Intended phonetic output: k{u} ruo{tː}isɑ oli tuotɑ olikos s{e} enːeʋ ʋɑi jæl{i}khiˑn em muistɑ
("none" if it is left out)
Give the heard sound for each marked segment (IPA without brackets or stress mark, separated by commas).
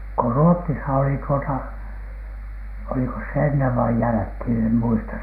o, tː, e, æ